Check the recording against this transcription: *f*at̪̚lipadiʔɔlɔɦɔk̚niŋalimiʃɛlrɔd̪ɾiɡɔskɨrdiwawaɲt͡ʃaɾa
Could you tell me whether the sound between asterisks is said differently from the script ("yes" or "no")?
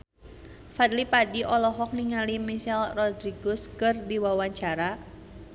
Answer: no